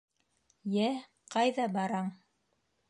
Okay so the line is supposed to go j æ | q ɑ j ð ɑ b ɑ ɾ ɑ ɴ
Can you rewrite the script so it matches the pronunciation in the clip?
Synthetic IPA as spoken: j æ | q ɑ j ð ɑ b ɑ ɾ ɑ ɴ